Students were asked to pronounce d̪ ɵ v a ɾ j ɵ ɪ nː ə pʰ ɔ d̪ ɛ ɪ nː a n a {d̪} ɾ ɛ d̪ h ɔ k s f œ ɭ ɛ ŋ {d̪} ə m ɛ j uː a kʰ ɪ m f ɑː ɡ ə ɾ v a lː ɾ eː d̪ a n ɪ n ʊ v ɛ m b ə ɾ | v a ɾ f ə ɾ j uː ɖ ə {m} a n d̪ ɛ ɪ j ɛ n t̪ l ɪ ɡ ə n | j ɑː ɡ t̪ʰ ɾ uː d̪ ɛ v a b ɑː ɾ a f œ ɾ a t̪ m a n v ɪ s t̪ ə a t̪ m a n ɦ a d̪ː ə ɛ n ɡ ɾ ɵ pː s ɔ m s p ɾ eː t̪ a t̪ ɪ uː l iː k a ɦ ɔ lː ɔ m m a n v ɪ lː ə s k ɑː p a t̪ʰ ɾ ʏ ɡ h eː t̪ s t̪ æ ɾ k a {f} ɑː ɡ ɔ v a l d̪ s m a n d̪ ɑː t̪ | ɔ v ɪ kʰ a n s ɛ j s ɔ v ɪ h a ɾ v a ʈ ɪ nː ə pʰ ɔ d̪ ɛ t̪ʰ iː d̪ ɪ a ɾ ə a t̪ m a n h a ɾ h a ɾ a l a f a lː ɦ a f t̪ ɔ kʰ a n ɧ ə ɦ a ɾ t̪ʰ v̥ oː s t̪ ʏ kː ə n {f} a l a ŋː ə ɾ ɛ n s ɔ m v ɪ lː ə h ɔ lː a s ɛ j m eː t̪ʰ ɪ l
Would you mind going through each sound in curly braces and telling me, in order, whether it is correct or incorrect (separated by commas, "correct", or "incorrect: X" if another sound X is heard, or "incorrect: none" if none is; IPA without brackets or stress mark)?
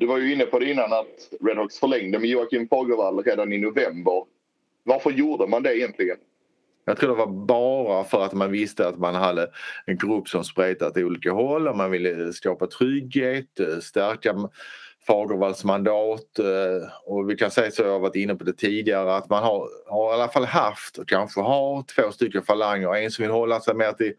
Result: incorrect: t̪, correct, correct, correct, correct